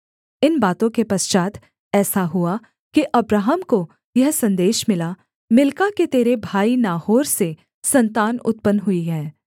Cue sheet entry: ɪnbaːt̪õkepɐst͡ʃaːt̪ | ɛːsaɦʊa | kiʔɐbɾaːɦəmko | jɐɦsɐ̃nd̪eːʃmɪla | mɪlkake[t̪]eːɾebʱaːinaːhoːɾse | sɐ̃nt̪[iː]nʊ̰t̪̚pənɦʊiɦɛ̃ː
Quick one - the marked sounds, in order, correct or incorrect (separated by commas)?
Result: correct, incorrect